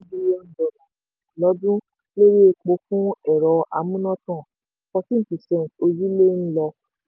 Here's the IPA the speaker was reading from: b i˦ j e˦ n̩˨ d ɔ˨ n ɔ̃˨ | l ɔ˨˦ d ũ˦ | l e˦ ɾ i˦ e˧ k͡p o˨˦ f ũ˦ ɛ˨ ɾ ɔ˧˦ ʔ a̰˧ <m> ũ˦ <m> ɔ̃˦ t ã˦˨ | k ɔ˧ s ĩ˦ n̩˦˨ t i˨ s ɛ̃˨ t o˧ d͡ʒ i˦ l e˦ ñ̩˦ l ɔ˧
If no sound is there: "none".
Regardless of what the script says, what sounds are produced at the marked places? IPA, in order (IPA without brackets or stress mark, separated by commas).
m, n